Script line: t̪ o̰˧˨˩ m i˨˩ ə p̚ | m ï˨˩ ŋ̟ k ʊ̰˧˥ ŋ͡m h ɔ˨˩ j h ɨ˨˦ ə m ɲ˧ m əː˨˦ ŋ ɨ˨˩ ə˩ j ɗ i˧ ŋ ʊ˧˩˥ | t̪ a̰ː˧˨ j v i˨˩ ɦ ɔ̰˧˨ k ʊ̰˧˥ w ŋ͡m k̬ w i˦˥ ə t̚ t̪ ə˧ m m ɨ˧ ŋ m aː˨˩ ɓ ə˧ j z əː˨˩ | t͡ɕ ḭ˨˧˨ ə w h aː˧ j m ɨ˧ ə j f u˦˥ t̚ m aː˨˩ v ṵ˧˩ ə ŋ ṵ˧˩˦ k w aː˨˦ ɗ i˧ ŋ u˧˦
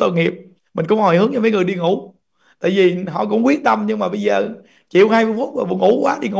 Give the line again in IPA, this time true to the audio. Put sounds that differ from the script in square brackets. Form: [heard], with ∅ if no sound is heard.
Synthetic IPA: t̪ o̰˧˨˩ [ŋ] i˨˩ ə p̚ | m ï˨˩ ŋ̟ k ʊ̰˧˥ ŋ͡m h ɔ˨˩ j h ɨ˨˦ ə [ŋ] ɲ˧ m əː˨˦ ŋ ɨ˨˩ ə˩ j ɗ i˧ ŋ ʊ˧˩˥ | t̪ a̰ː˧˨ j v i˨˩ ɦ ɔ̰˧˨ k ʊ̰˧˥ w ŋ͡m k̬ w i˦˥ ə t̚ t̪ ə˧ m [ɲ] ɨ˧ ŋ m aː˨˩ ɓ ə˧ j z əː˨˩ | t͡ɕ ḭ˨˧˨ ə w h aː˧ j m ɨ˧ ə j f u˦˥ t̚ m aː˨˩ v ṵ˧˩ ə ŋ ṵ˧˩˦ k w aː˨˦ ɗ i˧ ŋ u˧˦